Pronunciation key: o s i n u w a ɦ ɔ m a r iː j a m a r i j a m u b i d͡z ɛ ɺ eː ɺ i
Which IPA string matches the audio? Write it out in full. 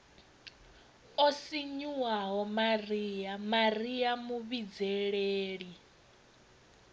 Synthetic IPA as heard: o s i ɲ u w a ɦ ɔ m a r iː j a m a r i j a m u β i d͡z ɛ ɺ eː ɺ i